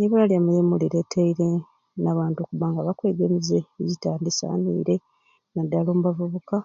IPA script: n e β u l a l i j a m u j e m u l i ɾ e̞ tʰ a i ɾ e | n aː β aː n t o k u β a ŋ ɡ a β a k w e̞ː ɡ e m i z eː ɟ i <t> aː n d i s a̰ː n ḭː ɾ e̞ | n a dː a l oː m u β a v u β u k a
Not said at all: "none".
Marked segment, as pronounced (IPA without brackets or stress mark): t